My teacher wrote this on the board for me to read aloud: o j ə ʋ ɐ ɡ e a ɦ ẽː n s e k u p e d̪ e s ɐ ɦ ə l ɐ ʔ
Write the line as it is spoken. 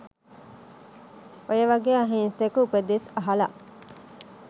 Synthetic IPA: o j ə ʋ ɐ ɡ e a ɦ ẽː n s e k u p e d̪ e s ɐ ɦ ɐ l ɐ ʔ